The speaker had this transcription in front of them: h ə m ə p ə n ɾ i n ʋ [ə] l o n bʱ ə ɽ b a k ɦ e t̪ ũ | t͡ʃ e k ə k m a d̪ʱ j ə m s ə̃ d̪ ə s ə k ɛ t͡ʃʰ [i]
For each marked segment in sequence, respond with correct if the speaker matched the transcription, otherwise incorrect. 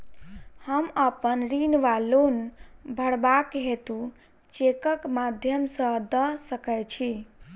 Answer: incorrect: a, correct

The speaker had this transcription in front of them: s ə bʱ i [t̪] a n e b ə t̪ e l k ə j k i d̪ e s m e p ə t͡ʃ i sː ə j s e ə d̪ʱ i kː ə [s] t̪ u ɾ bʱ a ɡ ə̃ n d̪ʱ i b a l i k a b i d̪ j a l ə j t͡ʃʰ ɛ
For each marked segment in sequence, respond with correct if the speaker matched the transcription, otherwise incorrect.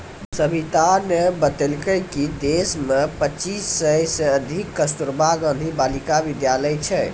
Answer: correct, correct

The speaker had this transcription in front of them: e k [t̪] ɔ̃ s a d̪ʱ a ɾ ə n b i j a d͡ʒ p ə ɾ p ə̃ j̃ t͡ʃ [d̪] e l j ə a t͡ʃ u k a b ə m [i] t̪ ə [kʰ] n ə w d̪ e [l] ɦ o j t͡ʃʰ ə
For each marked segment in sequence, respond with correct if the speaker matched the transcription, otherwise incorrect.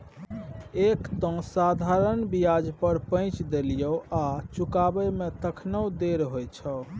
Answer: correct, correct, incorrect: e, correct, incorrect: ɾ

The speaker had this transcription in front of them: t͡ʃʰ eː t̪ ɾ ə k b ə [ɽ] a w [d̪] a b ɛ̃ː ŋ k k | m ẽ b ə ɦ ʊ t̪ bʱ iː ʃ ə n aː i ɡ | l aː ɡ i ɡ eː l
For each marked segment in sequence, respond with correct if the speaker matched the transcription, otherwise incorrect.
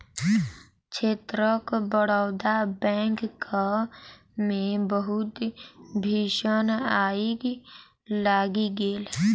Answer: correct, correct

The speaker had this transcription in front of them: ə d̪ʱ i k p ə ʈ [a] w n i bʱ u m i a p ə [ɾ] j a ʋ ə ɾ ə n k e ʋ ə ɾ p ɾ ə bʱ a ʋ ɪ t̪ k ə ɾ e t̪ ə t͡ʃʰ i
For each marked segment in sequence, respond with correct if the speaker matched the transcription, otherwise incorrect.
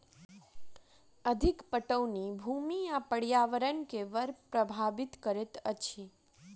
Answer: incorrect: ə, incorrect: ɽ

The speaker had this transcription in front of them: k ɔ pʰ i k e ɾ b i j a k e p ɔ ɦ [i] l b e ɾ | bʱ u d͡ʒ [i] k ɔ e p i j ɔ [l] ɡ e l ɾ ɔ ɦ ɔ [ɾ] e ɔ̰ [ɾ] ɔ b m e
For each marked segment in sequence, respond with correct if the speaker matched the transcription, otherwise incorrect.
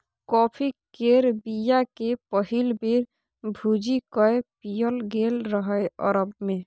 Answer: correct, correct, correct, incorrect: none, correct

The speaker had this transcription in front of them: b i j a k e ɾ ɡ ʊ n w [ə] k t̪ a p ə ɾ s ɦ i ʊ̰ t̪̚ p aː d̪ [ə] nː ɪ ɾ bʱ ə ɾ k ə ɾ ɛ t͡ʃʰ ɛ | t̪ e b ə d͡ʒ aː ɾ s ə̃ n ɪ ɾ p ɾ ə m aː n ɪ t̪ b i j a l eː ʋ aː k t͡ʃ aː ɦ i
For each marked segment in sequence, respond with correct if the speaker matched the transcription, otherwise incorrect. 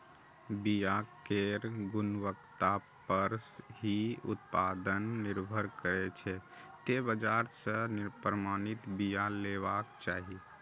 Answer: correct, correct

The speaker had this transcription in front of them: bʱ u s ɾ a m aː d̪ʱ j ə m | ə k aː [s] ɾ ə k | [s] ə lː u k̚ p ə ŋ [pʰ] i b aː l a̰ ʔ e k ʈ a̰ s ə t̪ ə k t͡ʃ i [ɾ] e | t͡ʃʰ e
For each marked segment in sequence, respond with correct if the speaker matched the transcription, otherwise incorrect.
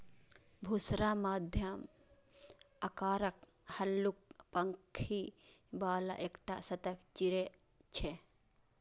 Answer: incorrect: none, incorrect: h, incorrect: kʰ, correct

